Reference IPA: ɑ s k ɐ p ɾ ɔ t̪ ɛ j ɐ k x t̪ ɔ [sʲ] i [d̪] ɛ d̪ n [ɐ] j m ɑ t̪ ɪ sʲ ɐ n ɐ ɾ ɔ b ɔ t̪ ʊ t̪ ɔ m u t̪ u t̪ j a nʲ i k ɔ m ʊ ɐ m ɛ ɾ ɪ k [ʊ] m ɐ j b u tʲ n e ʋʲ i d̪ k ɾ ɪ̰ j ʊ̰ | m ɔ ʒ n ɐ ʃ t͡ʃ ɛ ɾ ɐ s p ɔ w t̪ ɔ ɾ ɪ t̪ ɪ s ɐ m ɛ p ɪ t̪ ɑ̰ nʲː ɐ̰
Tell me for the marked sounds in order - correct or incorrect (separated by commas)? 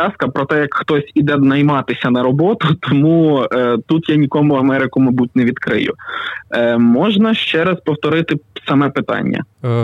correct, correct, correct, correct